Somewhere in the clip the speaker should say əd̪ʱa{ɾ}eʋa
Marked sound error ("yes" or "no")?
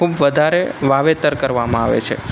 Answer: no